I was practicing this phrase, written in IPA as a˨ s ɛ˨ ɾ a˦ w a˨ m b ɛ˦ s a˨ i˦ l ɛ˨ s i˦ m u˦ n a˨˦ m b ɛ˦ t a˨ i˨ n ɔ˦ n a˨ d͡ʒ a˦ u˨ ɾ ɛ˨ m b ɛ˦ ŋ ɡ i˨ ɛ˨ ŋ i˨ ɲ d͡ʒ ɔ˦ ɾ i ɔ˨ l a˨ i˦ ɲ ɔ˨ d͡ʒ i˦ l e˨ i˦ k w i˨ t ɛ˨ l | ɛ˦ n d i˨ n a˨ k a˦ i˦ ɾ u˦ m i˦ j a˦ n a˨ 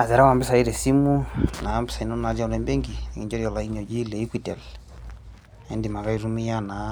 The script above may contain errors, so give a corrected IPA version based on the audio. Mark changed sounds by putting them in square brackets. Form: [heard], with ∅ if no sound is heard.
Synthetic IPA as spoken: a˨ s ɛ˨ ɾ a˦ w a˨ m b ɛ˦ s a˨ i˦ [ɾ] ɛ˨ s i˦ m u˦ n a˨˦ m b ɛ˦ [s] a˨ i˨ n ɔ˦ n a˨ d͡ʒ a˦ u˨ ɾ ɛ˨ m b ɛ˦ ŋ ɡ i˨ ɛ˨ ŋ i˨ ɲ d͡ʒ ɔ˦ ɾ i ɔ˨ l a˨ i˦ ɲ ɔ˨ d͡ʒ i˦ l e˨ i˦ k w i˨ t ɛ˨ l | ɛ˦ n d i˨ [m] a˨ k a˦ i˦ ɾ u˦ m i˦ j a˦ n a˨